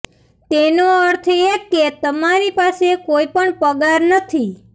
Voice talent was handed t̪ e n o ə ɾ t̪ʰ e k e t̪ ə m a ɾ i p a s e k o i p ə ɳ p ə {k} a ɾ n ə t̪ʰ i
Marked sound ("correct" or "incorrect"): incorrect